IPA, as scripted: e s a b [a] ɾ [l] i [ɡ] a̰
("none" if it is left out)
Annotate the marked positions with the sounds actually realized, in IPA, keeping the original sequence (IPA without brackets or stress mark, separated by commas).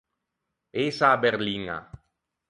e, l, ŋ